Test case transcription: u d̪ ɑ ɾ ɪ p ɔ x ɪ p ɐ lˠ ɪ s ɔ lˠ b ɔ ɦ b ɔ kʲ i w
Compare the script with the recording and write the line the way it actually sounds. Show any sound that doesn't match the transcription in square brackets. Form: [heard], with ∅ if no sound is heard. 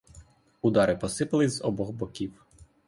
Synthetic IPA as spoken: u d̪ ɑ ɾ ɪ p ɔ [s] ɪ p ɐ lˠ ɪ [z] ɔ [∅] b ɔ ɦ b ɔ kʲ i w